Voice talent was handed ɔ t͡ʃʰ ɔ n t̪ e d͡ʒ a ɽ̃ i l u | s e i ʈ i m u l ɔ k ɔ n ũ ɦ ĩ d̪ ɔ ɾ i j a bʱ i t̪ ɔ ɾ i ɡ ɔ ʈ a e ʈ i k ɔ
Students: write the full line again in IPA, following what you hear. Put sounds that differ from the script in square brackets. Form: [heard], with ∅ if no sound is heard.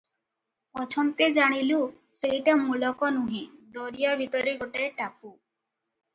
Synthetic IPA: ɔ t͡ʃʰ ɔ n t̪ e d͡ʒ a ɽ̃ i l u | s e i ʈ [a] m u l ɔ k ɔ n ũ ɦ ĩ d̪ ɔ ɾ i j a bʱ i t̪ ɔ ɾ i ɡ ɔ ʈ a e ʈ [a] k [u]